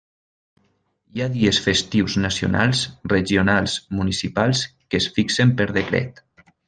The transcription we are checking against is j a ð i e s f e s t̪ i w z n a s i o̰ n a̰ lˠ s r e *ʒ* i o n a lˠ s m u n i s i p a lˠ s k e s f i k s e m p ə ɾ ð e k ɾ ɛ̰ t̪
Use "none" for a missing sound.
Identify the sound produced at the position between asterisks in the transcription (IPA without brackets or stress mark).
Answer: ʒ